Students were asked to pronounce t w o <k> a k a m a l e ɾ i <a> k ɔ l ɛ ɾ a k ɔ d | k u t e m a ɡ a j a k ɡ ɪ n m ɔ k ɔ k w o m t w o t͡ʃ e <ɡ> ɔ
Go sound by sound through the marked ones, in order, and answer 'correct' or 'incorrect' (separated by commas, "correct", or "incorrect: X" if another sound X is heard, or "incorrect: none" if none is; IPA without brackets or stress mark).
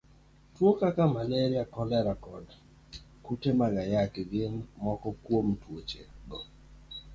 correct, correct, correct